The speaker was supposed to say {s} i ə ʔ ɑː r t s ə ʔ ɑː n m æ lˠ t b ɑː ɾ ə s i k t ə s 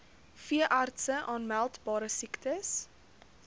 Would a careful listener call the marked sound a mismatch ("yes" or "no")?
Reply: yes